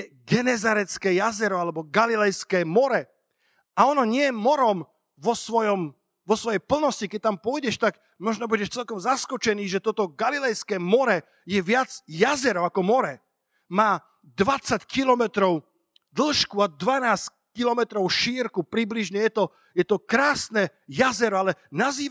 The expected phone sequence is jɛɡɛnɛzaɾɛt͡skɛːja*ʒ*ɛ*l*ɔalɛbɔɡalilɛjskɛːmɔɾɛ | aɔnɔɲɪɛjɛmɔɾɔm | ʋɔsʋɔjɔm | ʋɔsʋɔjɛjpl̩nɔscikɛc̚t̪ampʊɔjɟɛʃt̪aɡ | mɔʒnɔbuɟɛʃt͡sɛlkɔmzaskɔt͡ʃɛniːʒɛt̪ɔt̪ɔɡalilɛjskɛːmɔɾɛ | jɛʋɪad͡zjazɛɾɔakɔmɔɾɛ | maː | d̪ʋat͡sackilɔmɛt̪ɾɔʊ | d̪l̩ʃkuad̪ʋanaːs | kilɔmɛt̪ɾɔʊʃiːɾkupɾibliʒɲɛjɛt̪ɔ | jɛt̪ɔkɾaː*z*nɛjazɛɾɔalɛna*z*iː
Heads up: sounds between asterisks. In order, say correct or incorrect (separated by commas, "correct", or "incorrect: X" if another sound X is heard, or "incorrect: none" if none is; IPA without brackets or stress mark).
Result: incorrect: z, incorrect: ɾ, incorrect: s, correct